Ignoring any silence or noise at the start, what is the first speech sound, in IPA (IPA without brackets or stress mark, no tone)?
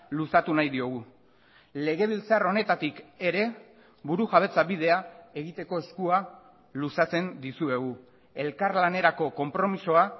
l